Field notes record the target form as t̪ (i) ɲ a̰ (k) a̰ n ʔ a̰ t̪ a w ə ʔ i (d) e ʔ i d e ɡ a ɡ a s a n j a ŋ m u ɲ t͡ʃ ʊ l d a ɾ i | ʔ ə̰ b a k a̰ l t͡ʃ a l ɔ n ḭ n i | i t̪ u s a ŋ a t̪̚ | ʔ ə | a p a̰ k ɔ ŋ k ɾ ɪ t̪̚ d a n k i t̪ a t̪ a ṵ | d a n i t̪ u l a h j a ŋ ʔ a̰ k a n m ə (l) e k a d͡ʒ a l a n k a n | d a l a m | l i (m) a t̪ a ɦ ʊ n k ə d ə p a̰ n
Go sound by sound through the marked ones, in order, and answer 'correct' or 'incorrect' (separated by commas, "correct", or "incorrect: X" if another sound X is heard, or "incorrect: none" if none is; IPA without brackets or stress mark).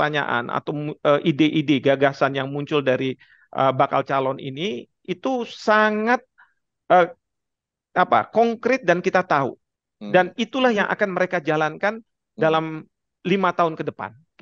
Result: incorrect: a, incorrect: ʔ, correct, incorrect: ɾ, correct